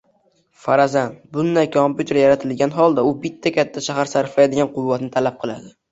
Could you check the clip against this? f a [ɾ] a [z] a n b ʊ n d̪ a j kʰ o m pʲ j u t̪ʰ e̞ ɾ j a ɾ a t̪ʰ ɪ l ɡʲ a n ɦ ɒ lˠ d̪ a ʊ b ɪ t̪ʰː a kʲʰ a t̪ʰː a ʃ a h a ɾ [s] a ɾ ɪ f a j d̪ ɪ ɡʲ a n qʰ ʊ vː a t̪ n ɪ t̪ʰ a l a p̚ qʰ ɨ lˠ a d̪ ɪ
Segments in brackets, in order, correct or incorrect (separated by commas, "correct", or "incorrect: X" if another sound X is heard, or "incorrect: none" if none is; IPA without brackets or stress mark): correct, correct, correct